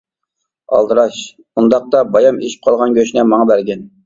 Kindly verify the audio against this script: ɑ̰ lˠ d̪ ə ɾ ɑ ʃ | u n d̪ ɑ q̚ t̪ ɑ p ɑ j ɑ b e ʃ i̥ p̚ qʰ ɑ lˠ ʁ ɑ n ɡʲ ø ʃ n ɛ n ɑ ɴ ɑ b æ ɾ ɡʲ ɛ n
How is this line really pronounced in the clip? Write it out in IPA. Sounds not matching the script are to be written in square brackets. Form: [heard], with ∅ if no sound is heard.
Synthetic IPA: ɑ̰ lˠ d̪ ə ɾ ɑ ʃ | u n d̪ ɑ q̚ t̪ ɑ [b] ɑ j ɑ [m] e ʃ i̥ p̚ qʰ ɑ lˠ ʁ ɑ n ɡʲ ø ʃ n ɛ [m] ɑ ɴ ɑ b æ ɾ ɡʲ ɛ n

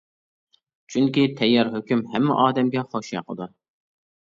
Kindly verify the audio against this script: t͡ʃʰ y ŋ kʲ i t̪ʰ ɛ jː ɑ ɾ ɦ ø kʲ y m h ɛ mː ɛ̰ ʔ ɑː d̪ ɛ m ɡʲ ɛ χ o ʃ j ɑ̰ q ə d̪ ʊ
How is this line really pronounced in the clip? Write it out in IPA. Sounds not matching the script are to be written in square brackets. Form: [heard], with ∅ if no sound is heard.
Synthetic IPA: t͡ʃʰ y ŋ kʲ i t̪ʰ ɛ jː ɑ ɾ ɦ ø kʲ y m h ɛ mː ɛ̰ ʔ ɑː d̪ ɛ m ɡʲ ɛ χ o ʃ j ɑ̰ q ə d̪ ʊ

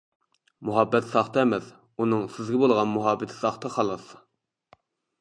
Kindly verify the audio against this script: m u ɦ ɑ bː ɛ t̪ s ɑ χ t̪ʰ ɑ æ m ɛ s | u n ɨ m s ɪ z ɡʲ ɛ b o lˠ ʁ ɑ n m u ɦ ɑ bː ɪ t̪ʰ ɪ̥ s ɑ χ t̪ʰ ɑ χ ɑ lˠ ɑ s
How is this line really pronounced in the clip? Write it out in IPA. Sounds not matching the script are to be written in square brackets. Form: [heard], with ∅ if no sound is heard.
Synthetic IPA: m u ɦ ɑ bː ɛ t̪ s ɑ χ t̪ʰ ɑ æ m ɛ s | u n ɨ [ŋ] s ɪ z ɡʲ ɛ b o lˠ ʁ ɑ n m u ɦ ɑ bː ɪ t̪ʰ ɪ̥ s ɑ χ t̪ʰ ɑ χ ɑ lˠ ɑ s

